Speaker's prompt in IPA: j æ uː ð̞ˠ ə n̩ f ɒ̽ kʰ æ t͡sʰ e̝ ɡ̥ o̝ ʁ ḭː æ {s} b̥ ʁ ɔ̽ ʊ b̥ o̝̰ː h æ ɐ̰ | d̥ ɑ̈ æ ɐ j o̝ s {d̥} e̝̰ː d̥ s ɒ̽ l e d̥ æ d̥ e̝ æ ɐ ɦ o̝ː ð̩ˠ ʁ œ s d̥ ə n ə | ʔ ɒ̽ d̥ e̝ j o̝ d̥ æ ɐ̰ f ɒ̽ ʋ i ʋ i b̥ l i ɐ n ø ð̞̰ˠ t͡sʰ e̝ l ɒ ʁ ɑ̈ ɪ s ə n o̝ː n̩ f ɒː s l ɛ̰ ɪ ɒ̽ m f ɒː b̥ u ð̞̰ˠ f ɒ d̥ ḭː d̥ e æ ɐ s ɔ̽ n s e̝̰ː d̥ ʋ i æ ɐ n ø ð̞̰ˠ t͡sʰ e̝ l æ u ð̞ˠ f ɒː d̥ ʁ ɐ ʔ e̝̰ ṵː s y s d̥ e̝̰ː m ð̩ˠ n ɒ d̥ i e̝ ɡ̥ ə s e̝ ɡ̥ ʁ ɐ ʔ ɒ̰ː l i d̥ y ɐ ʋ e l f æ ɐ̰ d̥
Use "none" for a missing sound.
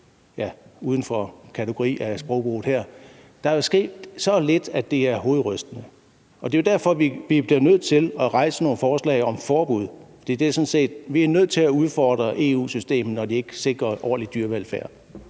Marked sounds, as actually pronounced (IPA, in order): s, ɡ̥

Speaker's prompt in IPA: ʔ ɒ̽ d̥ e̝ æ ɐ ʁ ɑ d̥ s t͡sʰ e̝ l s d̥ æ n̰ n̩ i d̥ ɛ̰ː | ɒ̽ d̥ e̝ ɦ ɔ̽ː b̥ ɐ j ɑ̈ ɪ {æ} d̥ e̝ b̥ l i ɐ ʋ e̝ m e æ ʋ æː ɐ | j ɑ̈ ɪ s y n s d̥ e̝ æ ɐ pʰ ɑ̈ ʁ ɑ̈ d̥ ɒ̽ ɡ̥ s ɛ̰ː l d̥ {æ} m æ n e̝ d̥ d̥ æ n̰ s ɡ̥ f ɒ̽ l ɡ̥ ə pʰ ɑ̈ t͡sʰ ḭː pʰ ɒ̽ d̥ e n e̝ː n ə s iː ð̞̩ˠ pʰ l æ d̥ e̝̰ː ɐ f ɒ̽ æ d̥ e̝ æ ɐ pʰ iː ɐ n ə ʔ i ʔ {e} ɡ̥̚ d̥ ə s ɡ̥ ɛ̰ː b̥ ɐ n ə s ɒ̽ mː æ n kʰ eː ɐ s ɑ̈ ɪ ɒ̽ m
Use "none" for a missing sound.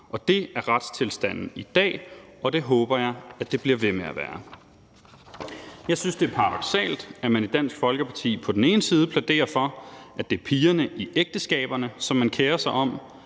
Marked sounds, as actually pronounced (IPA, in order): æ, æ, e

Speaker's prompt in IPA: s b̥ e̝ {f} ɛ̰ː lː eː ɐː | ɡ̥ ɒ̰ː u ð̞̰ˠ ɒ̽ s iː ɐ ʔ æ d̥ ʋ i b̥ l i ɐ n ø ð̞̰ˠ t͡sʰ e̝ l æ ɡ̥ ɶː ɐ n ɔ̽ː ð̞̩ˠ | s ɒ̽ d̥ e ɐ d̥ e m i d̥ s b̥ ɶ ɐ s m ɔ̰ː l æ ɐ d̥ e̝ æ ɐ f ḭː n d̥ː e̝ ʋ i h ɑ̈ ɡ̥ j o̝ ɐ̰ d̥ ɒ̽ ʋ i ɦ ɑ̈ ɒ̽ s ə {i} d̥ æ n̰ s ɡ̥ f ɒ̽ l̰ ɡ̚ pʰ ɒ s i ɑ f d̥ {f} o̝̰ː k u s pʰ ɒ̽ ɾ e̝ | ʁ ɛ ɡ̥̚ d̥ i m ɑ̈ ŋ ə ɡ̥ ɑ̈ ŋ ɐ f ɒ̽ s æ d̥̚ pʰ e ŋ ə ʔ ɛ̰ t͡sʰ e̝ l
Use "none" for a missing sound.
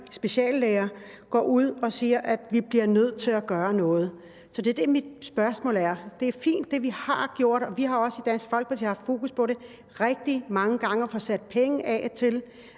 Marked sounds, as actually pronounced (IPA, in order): ɕ, i, f

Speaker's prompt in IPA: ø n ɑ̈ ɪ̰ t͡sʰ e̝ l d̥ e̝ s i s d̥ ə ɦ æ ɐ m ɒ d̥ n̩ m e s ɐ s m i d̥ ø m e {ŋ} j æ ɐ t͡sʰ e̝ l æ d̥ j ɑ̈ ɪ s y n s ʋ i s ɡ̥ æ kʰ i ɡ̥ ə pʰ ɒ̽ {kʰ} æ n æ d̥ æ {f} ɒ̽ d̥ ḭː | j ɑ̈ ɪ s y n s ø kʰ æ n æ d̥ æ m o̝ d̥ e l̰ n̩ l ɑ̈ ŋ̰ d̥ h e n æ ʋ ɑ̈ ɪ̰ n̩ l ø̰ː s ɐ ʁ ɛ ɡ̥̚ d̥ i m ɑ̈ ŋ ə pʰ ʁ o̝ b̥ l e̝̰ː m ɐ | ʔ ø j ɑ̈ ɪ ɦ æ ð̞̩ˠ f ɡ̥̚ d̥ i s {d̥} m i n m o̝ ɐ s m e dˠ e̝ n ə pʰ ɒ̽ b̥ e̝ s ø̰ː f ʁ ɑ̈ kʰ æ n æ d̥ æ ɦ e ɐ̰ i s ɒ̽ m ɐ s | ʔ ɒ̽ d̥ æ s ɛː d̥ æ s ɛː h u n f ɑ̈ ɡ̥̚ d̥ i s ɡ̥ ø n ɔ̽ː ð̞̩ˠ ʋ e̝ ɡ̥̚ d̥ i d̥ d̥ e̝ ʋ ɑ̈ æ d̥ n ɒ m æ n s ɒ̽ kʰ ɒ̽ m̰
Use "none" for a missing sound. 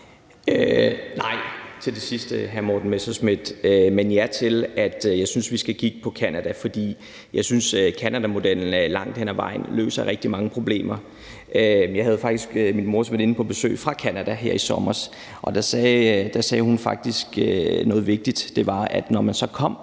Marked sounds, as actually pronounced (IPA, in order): n, kʰ, f, ɡ̥

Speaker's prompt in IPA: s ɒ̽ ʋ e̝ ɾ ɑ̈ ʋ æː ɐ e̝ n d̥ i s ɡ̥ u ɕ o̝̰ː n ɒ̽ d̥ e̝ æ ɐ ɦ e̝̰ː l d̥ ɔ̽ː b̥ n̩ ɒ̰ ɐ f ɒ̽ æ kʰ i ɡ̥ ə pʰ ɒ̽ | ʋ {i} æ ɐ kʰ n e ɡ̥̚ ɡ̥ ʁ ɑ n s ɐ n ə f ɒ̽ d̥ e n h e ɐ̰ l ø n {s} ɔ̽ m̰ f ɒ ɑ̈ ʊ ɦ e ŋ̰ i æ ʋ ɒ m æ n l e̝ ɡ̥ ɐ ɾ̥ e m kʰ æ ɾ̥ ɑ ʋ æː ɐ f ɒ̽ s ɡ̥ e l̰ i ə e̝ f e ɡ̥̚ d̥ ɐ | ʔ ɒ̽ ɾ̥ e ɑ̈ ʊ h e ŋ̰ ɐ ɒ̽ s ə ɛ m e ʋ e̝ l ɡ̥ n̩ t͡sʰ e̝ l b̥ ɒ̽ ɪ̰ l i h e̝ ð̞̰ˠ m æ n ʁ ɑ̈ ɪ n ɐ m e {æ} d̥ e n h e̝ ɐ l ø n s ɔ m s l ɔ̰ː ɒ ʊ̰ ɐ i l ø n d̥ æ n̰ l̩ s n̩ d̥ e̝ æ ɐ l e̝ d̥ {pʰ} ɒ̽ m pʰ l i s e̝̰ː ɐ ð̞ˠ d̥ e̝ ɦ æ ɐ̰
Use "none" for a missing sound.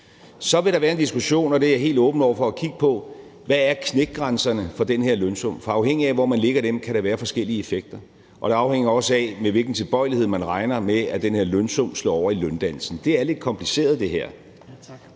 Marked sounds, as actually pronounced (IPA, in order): æ, s, æ, kʰ

